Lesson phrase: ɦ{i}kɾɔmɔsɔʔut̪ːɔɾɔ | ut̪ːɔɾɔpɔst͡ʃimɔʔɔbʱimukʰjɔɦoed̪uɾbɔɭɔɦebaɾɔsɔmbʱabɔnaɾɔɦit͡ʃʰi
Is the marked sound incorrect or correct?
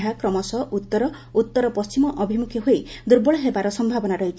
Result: incorrect